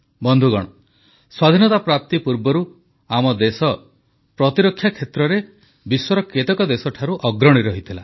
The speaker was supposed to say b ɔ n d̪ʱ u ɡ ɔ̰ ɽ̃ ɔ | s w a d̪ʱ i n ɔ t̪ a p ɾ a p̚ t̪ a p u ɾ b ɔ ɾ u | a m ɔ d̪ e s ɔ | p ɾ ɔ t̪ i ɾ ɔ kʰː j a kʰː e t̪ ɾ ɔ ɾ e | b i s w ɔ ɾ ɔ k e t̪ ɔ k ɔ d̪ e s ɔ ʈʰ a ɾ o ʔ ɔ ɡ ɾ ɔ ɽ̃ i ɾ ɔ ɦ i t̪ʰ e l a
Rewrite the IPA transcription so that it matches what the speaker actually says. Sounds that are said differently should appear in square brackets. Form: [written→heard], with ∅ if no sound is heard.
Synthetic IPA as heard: b ɔ n d̪ʱ u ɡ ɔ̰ ɽ̃ ɔ | s w a d̪ʱ i n ɔ t̪ a p ɾ a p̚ t̪ [a→i] p u ɾ b ɔ ɾ u | a m ɔ d̪ e s ɔ | p ɾ ɔ t̪ i ɾ ɔ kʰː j a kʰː e t̪ ɾ ɔ ɾ e | b i s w ɔ ɾ ɔ k e t̪ ɔ k ɔ d̪ e s ɔ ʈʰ a ɾ [o→u] ʔ ɔ ɡ ɾ ɔ ɽ̃ i ɾ ɔ ɦ i t̪ʰ [e→i] l a